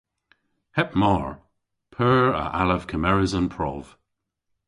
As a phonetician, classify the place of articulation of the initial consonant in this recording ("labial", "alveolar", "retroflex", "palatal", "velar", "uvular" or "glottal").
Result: glottal